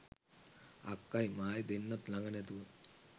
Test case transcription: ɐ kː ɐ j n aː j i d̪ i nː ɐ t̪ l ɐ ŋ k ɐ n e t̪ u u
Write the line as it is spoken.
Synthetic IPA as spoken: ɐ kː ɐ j m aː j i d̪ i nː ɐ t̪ l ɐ ŋ ɡ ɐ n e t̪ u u